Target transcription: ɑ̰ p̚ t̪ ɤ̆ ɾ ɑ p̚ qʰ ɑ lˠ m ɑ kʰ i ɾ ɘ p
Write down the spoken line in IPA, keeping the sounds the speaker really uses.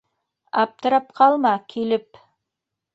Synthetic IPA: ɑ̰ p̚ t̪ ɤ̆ ɾ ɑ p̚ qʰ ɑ lˠ m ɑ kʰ i l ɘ p